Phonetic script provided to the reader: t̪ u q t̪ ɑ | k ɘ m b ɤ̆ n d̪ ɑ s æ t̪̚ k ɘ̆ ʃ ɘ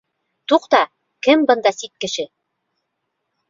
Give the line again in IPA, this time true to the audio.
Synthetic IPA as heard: t̪ u q t̪ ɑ | k ɘ m b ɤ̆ n d̪ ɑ s i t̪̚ k ɘ̆ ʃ ɘ